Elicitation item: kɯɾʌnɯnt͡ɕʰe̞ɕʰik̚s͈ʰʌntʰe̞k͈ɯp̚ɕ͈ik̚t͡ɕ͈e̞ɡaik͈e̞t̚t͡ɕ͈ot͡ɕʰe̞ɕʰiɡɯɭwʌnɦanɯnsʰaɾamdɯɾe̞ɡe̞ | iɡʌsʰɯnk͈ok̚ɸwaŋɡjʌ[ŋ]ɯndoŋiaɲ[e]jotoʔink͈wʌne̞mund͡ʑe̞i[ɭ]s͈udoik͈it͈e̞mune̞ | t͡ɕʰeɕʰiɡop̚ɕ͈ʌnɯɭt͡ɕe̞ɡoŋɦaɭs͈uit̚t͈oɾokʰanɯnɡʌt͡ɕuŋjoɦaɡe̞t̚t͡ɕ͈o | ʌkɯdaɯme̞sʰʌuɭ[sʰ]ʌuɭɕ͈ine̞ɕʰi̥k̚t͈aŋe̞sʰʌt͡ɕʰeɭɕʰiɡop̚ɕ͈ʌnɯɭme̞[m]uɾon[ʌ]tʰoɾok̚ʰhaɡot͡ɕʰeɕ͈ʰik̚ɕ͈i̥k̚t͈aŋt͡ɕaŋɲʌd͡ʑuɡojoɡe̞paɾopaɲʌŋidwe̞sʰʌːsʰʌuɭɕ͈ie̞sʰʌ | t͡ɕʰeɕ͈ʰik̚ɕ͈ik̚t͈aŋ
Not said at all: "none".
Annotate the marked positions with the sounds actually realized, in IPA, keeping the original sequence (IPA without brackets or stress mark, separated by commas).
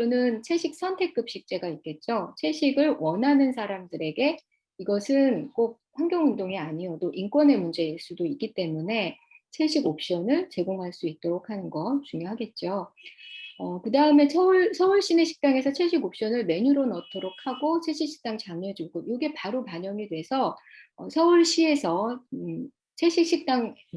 ŋ, i, ɭ, sʰ, ɲ, ʌ